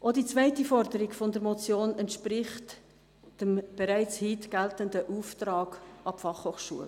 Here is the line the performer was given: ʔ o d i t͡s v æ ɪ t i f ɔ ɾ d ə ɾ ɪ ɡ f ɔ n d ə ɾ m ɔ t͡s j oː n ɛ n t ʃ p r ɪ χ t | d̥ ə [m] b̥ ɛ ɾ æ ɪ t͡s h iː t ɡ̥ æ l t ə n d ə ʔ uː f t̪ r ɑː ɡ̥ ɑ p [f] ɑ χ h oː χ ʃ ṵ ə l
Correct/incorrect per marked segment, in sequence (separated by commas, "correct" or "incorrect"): correct, correct